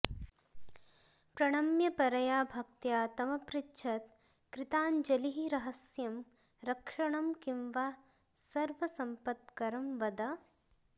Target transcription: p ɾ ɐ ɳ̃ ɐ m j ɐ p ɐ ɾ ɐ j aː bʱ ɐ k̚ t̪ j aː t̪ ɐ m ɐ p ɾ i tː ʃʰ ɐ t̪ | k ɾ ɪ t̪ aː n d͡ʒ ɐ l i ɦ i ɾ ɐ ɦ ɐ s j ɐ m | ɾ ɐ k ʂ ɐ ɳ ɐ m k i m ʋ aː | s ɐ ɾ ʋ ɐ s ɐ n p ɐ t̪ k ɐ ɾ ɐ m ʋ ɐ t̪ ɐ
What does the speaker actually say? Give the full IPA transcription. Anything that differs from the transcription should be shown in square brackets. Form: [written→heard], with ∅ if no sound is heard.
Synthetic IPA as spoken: p ɾ ɐ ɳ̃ ɐ m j ɐ p ɐ ɾ ɐ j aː bʱ ɐ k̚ t̪ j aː t̪ ɐ m ɐ p ɾ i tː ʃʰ ɐ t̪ | k ɾ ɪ t̪ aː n d͡ʒ ɐ l i ɦ i ɾ ɐ ɦ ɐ s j ɐ m | ɾ ɐ k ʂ ɐ ɳ ɐ m k i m ʋ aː | s ɐ ɾ ʋ ɐ s ɐ [n→m] p ɐ t̪ k ɐ ɾ ɐ m ʋ ɐ [t̪→d̪] ɐ